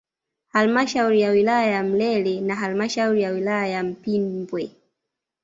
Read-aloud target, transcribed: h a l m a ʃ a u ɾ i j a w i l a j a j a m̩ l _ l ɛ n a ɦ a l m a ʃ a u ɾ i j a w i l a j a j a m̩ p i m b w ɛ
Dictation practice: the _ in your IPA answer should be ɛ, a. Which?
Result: ɛ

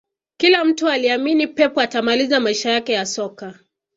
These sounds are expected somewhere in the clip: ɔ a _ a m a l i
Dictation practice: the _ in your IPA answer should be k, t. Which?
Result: t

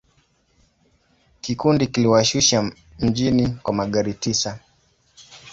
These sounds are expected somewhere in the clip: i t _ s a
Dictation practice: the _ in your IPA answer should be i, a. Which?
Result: i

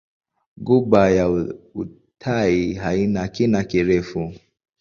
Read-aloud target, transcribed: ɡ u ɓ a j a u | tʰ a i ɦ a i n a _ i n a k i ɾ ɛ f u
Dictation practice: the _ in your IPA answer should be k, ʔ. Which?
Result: k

